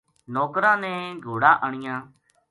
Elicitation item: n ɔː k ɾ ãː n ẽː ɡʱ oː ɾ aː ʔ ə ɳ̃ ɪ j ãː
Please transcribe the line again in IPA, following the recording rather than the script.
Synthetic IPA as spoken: n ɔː k ɾ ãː n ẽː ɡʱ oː ɽ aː ʔ ə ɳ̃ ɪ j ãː